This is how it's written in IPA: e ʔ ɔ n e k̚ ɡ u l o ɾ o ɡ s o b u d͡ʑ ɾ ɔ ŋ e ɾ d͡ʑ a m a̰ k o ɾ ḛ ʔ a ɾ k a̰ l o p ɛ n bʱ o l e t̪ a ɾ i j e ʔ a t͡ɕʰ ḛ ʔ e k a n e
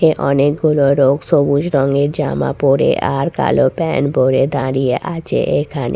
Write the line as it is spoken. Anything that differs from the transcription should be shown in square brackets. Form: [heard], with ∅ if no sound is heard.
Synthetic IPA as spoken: e ʔ ɔ n e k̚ ɡ u l o ɾ o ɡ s o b u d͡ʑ ɾ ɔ ŋ e ɾ d͡ʑ a m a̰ [p] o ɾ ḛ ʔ a ɾ k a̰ l o p ɛ n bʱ o [ɾ] e [d̪] a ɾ i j e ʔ a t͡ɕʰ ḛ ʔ e [kʰ] a n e

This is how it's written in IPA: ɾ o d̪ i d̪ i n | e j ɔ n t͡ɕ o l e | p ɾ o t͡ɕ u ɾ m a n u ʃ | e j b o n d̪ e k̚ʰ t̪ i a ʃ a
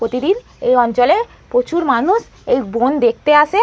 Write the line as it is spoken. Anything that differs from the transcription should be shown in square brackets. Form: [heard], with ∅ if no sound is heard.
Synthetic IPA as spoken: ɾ o [t̪] i d̪ i n | e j ɔ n t͡ɕ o l e | p ɾ o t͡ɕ u ɾ m a n u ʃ | e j b o n d̪ e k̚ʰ t̪ [e] a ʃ [e]

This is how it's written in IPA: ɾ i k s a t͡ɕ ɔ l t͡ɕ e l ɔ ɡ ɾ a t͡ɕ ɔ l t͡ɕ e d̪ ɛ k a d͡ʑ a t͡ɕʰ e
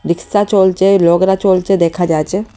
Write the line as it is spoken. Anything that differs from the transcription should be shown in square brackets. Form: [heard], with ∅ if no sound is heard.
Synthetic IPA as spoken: ɾ i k s a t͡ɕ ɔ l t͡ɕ e l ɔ ɡ ɾ a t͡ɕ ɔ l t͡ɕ e d̪ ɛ [kʰ] a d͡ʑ a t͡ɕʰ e

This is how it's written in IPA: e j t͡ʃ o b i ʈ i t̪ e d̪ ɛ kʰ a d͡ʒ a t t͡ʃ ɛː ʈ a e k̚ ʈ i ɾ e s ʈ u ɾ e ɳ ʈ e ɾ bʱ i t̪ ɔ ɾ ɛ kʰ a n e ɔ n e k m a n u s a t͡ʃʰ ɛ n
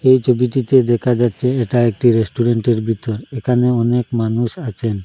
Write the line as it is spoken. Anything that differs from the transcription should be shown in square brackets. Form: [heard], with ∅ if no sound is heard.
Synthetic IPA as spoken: e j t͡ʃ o b i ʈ i t̪ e d̪ ɛ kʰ a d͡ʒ a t t͡ʃ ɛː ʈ a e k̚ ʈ i ɾ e s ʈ u ɾ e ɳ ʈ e ɾ bʱ i t̪ ɔ ɾ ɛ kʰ a n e ɔ n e k m a n u s a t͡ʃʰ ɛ n

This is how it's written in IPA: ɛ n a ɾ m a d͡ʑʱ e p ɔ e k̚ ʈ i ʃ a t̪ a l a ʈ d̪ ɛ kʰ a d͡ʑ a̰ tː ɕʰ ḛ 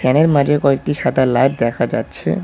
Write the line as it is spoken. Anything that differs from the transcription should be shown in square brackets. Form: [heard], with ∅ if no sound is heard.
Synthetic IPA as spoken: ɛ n [e] ɾ m a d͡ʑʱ e [k] ɔ e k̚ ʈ i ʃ a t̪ a l a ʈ d̪ ɛ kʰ a d͡ʑ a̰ tː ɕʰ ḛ

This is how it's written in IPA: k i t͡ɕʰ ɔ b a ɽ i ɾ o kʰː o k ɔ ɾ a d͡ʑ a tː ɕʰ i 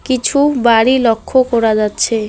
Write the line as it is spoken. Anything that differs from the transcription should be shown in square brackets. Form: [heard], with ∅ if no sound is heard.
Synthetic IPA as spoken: k i t͡ɕʰ [u] b a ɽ i [l] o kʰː o k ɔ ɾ a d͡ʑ a tː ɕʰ [e]

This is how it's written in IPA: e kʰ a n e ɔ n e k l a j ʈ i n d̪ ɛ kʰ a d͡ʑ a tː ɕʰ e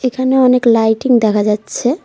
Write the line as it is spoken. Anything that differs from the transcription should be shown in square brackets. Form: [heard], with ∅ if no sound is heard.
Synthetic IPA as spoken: e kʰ a n e ɔ n e k l a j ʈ i [ŋ] d̪ ɛ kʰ a d͡ʑ a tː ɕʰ e

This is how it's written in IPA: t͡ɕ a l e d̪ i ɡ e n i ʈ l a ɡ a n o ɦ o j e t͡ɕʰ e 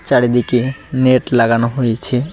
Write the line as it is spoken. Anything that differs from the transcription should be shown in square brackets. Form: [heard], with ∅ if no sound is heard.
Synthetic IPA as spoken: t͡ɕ a [ɽ] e d̪ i [k] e n [e] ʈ l a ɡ a n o ɦ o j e t͡ɕʰ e

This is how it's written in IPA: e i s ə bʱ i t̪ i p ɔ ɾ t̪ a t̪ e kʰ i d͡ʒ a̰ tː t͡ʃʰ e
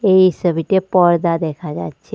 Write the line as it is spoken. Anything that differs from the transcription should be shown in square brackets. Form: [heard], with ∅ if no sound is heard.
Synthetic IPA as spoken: e i s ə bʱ i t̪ [e] p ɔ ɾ [d̪] a [d̪] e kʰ [a] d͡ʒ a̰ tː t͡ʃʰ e

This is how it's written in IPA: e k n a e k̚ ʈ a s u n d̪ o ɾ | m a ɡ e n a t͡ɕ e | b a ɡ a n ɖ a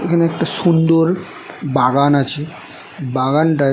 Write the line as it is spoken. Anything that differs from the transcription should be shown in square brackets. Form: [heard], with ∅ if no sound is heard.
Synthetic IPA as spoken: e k n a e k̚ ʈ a s u n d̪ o ɾ | [b] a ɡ [a] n a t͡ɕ [i] | b a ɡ a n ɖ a

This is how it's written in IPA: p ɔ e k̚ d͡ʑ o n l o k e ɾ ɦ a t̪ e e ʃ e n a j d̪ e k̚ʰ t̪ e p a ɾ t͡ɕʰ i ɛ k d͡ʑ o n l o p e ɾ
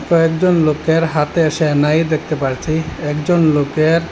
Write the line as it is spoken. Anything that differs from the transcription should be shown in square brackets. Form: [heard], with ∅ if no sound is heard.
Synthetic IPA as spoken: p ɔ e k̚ d͡ʑ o n l o k e ɾ ɦ a t̪ e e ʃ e n a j d̪ e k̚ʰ t̪ e p a ɾ t͡ɕʰ i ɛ k d͡ʑ o n l o [k] e ɾ

